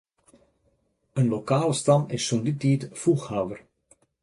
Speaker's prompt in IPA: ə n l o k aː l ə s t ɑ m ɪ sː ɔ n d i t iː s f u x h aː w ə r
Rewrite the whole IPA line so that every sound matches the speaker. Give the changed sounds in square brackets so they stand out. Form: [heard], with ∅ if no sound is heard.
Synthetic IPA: ə n l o k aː l ə s t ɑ m ɪ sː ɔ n d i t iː [t] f u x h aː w ə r